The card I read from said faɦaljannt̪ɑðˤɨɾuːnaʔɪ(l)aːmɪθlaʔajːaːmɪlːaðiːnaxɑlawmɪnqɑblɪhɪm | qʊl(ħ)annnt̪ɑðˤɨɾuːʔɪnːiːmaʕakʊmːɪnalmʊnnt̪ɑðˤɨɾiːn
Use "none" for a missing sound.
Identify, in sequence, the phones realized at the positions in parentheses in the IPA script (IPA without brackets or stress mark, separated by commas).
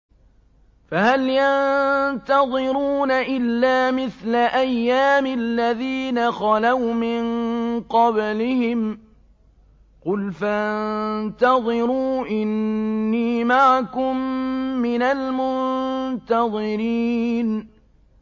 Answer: lː, f